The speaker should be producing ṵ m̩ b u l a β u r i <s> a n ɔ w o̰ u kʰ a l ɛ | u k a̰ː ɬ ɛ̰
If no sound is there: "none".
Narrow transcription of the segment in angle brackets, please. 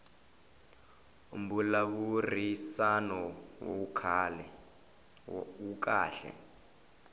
s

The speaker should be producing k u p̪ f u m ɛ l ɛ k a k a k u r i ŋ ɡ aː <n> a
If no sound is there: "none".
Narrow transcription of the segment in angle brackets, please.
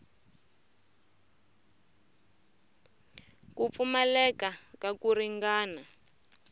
n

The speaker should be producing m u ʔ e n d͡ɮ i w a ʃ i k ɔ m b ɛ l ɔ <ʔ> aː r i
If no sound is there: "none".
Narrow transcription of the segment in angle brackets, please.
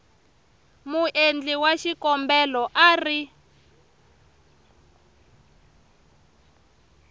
ʔ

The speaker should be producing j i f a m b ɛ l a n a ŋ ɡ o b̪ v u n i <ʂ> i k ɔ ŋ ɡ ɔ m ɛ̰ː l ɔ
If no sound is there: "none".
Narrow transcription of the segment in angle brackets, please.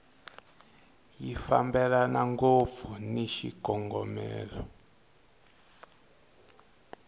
ʃ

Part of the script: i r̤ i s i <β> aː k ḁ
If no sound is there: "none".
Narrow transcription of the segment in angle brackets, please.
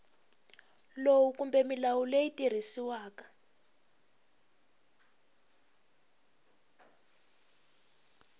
w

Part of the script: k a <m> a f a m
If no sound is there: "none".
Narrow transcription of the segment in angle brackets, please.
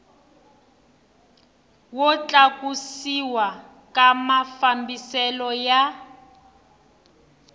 m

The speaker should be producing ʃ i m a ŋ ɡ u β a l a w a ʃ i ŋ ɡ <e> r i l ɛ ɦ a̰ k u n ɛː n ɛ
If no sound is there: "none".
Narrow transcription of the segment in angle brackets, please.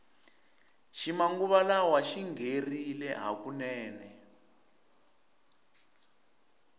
e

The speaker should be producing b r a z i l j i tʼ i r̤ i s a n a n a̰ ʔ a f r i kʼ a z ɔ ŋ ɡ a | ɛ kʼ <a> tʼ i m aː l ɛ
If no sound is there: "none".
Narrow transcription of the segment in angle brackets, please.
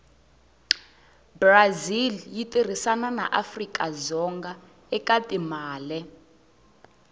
a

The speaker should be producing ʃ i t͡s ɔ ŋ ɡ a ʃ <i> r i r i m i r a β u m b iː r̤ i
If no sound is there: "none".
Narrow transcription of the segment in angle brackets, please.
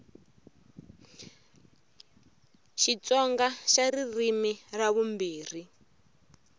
a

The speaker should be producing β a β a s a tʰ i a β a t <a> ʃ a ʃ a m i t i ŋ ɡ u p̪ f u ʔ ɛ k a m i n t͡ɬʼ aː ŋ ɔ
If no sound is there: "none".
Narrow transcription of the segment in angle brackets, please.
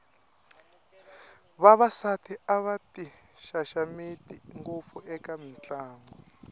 i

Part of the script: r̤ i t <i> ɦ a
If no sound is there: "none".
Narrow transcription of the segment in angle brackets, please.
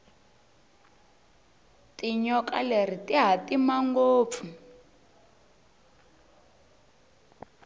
i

